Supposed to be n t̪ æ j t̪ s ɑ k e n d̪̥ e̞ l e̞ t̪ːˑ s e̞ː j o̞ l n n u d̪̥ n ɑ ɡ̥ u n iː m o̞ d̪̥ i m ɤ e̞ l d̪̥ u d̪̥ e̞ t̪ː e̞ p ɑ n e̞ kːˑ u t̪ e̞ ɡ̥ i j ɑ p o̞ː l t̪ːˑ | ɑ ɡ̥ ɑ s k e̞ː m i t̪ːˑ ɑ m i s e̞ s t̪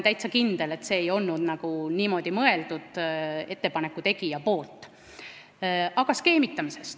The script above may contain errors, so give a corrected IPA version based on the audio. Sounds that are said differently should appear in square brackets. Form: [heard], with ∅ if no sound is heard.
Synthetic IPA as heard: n t̪ æ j t̪ s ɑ k [i] n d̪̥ e̞ l e̞ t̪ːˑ s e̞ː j o̞ l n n u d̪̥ n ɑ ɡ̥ u n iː m o̞ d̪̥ i m ɤ e̞ l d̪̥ u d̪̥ e̞ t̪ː e̞ p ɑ n e̞ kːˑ u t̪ e̞ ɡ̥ i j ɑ p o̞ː l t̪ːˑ | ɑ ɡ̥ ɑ s k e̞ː m i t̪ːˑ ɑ m i s e̞ s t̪